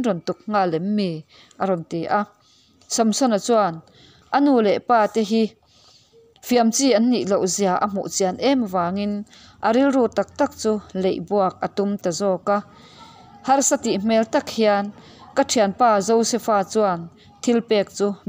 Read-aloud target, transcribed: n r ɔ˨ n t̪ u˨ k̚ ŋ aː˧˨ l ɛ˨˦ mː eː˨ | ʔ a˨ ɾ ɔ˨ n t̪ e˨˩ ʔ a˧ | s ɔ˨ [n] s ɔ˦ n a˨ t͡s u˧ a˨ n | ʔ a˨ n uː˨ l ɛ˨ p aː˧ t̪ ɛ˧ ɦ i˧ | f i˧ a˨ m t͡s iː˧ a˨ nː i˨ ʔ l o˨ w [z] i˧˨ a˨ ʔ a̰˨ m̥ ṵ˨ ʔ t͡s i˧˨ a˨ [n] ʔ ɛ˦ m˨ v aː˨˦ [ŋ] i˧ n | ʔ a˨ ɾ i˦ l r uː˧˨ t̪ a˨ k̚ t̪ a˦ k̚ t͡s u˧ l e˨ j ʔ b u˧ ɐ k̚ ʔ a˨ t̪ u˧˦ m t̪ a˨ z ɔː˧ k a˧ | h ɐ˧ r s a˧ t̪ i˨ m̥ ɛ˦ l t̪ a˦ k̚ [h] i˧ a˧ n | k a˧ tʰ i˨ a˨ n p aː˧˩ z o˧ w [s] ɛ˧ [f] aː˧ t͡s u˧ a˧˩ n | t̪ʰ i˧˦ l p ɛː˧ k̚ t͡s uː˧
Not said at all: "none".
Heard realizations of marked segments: m, z, n, ŋ, h, s, f

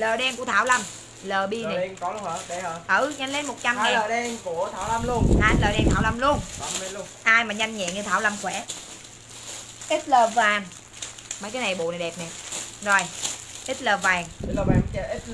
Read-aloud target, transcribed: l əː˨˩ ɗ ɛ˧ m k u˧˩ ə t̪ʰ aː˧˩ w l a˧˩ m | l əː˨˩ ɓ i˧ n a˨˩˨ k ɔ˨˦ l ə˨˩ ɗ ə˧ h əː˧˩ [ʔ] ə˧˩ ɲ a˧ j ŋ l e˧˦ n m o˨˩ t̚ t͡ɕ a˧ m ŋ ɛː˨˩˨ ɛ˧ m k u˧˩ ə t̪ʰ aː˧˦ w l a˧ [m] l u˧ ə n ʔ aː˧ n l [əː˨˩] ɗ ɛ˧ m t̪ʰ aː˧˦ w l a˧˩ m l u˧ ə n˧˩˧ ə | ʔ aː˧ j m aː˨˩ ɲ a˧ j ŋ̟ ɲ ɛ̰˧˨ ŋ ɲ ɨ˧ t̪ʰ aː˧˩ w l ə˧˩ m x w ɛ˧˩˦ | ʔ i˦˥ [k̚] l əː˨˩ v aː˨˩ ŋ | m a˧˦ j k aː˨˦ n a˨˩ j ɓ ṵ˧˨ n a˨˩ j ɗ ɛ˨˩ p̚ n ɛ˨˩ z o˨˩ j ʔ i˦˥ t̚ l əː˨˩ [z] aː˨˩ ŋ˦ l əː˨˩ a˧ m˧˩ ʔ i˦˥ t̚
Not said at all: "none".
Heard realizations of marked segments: ʔ, m, əː˨˩, t̚, v

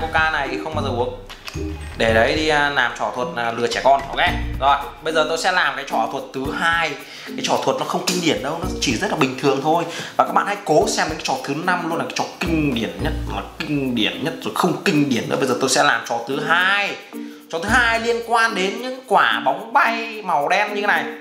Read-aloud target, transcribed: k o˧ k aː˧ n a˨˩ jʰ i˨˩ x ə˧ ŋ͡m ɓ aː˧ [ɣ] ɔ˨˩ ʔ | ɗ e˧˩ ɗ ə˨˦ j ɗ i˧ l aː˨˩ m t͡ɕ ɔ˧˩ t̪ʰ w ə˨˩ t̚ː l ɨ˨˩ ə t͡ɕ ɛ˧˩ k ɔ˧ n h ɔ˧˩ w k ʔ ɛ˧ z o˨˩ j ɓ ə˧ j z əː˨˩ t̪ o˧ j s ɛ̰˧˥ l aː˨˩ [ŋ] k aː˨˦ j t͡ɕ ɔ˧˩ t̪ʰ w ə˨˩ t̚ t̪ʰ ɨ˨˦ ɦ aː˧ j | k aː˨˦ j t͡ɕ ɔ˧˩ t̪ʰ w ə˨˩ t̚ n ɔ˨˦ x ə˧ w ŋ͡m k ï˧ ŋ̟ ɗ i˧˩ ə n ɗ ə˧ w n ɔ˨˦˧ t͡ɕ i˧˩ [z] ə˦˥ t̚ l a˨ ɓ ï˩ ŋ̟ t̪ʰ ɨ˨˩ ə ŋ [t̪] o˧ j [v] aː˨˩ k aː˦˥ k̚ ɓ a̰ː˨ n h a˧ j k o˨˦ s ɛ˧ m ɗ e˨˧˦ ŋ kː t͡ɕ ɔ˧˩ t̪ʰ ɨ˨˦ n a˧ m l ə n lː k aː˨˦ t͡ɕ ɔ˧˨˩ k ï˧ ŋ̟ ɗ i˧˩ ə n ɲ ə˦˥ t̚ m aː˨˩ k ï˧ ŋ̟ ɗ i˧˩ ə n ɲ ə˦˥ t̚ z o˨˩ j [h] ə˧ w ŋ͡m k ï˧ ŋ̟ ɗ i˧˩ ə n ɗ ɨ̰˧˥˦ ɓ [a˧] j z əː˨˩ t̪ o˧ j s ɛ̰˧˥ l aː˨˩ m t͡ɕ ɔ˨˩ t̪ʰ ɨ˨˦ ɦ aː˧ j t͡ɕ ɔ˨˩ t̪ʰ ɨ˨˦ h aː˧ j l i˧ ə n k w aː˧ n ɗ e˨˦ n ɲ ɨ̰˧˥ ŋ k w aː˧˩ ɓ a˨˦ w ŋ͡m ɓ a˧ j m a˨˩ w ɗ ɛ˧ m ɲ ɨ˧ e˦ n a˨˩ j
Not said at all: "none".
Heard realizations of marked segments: z, m, z, t̪ʰ, v, x, ə˧

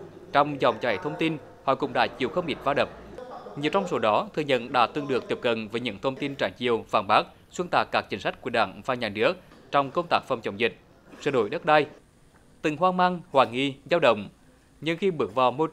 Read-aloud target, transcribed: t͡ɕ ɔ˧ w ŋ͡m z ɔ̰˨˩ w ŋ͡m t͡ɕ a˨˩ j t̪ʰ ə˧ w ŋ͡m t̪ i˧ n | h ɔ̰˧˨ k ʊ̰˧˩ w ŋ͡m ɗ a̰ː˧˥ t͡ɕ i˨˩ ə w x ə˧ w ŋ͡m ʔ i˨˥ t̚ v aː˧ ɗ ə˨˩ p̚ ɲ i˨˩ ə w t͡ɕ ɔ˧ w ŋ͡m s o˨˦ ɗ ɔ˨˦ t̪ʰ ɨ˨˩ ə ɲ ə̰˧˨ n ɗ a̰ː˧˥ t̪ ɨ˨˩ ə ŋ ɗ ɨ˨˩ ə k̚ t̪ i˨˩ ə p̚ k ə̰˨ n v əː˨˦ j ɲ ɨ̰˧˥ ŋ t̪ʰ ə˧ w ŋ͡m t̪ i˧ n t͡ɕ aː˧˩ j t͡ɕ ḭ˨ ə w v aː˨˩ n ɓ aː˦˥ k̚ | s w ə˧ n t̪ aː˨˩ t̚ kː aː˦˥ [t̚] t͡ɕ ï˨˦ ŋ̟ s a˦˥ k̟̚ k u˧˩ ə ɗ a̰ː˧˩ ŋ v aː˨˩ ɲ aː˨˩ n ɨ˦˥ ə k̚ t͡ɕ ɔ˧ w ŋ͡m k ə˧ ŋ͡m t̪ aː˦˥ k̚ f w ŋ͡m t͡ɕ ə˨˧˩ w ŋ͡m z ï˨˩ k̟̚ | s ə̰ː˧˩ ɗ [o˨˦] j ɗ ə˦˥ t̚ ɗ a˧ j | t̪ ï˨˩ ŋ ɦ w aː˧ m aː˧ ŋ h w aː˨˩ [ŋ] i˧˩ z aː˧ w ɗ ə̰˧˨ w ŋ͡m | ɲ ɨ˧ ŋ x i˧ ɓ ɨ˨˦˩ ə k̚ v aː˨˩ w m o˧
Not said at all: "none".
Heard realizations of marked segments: k̚, o˧˩, ŋ

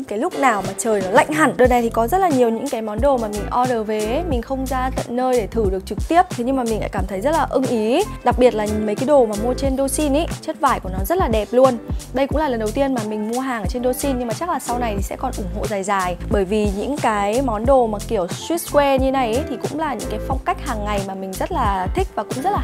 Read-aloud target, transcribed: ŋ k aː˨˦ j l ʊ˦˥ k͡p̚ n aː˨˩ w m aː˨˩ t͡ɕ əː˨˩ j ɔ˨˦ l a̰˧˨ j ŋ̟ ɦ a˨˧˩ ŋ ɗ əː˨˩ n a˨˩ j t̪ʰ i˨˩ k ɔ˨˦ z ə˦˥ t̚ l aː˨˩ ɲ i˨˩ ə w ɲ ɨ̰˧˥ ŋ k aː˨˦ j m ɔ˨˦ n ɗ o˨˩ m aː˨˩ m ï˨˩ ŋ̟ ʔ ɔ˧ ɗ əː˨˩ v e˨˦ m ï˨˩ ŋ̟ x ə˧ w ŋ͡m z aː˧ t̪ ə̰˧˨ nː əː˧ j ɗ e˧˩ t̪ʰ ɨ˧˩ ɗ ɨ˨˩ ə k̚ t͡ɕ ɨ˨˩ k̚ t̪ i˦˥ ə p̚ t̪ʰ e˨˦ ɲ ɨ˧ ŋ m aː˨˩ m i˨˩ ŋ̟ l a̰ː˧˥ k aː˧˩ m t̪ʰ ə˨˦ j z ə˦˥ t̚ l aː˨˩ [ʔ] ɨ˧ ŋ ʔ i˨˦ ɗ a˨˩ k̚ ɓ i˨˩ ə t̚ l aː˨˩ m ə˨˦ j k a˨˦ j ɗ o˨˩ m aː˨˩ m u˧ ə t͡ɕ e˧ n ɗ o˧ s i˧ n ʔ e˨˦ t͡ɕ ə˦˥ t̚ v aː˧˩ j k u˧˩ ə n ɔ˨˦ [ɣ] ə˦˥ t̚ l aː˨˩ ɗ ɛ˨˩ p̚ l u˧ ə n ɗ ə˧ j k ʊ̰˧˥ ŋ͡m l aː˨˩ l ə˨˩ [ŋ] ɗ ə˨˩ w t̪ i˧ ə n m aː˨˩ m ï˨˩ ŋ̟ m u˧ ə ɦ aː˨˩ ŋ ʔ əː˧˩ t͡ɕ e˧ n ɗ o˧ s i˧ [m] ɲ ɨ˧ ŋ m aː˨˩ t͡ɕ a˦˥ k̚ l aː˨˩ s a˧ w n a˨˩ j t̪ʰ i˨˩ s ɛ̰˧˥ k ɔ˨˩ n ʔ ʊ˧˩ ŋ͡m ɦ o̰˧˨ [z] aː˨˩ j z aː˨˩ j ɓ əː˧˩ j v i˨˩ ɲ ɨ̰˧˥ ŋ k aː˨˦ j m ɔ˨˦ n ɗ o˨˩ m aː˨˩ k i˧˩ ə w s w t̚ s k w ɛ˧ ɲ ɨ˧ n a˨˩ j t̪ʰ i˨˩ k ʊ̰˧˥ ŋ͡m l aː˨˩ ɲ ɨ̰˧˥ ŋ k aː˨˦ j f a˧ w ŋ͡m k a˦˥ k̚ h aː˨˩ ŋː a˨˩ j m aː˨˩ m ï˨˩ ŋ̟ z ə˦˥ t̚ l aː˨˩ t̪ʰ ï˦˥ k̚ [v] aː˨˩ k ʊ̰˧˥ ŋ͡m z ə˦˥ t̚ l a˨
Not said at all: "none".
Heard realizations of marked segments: ʔ, z, n, n, z, v

